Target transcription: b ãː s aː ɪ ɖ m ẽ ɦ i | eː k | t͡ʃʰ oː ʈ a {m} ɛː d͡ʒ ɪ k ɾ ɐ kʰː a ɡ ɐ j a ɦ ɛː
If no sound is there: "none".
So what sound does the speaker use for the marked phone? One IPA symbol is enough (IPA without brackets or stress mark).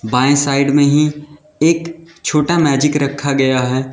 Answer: m